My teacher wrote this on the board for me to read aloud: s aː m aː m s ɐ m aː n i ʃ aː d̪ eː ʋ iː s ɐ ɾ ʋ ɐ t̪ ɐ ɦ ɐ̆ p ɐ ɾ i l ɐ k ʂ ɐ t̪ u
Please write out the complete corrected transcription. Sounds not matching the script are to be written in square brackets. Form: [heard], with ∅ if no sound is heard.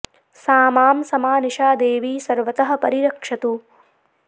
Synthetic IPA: s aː m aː m s ɐ m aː n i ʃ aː d̪ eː ʋ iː s ɐ ɾ ʋ ɐ t̪ ɐ ɦ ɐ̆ p ɐ ɾ i [ɾ] ɐ k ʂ ɐ t̪ u